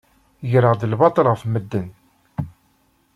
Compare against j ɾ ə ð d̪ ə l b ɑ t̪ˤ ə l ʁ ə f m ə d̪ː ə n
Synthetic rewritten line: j ɾ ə ʁ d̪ ə l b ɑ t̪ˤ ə l ʁ ə f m ə d̪ː ə n